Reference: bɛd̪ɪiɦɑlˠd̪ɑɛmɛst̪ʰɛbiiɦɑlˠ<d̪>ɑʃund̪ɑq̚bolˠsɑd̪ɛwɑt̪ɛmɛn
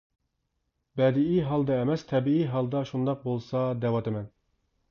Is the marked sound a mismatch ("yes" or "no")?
no